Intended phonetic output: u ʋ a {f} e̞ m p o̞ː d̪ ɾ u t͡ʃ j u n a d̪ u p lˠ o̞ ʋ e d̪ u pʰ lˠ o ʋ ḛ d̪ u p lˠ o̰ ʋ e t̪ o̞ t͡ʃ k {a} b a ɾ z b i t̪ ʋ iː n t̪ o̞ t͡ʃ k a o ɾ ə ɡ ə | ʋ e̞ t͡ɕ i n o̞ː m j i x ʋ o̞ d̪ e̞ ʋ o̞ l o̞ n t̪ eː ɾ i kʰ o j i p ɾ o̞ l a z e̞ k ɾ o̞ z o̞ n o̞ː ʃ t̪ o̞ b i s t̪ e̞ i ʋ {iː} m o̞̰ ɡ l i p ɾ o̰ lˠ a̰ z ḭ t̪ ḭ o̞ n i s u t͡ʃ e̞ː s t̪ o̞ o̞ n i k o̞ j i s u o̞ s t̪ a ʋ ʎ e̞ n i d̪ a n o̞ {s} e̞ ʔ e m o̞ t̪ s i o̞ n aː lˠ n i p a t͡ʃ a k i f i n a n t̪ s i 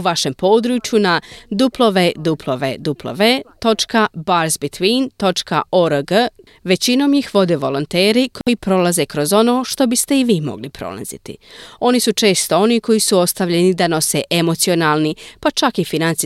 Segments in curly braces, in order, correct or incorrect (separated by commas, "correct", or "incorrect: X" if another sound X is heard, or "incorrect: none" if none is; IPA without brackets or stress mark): incorrect: ʃ, correct, correct, correct